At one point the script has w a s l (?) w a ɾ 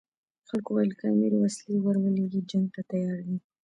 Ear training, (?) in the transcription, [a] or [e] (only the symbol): e